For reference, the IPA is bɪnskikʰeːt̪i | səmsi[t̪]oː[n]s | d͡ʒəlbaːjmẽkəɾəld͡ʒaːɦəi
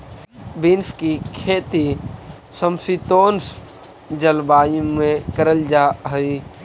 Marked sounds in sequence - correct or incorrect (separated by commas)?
correct, correct